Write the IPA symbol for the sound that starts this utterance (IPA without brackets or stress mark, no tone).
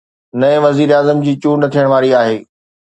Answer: n